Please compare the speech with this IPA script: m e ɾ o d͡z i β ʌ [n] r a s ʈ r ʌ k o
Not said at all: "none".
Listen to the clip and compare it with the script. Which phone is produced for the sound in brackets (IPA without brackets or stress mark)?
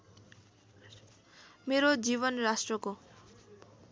n